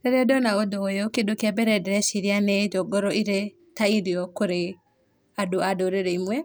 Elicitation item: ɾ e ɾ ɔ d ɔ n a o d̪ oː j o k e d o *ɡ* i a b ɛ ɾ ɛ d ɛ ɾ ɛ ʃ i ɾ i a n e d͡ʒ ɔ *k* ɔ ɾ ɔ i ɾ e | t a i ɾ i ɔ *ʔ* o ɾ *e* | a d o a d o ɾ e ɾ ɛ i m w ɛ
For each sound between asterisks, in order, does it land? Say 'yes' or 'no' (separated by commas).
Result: no, no, no, yes